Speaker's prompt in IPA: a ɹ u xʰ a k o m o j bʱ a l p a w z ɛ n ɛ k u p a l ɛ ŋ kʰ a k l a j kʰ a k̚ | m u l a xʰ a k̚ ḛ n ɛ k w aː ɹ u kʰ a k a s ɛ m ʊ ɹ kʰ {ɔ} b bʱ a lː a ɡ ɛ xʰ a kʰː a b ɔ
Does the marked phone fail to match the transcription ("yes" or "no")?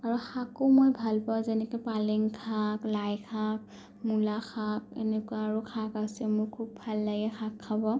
yes